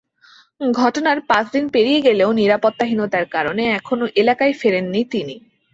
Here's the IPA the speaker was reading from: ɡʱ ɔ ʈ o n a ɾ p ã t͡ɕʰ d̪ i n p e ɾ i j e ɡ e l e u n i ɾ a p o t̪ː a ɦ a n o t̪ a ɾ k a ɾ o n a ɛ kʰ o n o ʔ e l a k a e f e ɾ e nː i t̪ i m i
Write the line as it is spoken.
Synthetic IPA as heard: ɡʱ ɔ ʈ o n a ɾ p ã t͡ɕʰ d̪ i n p e ɾ i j e ɡ e l e o n i ɾ a p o t̪ː a ɦ i n o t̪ a ɾ k a ɾ o n e ɛ kʰ o n o ʔ e l a k a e f e ɾ e nː i t̪ i n i